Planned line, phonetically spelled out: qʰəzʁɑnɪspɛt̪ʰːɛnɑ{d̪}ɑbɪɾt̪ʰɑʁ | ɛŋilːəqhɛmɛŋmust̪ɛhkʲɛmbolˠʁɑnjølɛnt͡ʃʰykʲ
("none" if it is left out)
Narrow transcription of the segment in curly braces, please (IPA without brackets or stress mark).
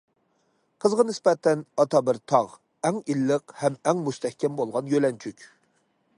t̪